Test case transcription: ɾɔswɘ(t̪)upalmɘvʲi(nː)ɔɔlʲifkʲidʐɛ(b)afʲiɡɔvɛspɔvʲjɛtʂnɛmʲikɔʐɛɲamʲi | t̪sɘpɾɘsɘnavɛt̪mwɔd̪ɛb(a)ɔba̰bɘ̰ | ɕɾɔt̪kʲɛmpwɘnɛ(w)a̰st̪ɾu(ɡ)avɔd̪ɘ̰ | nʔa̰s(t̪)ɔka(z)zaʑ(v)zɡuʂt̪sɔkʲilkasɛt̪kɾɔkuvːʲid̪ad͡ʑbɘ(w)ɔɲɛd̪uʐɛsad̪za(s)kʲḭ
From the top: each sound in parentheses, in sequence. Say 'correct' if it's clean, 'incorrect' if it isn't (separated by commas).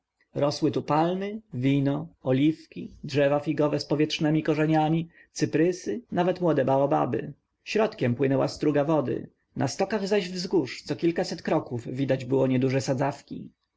correct, incorrect, incorrect, correct, correct, correct, correct, incorrect, correct, correct, incorrect